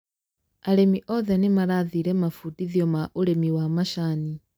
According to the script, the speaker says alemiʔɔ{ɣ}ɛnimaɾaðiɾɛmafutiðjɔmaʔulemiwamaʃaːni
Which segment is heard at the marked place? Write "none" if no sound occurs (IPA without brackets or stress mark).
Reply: ð